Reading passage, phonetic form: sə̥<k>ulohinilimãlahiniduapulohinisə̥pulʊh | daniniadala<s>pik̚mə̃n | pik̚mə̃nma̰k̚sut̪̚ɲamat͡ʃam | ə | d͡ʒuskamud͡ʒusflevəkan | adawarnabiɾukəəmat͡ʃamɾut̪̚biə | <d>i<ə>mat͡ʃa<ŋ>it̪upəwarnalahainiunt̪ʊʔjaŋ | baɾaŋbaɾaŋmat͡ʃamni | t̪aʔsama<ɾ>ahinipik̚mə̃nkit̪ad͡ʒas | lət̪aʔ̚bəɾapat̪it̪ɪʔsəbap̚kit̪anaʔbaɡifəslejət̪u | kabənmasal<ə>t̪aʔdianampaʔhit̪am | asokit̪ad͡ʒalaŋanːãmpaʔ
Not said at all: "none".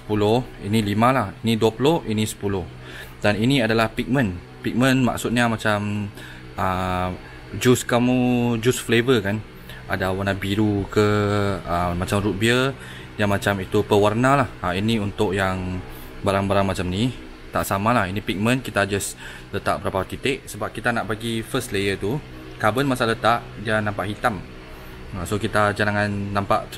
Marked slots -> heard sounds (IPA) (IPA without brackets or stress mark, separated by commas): p, h, d, a, m, l, ə